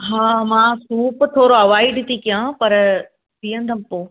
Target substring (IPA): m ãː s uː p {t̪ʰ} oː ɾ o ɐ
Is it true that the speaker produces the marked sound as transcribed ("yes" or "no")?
yes